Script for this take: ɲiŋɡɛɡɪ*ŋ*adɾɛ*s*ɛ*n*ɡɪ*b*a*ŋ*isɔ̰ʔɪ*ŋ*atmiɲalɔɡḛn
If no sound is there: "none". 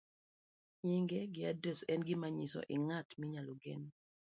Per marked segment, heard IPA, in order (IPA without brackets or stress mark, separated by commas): none, s, n, m, ɲ, ŋ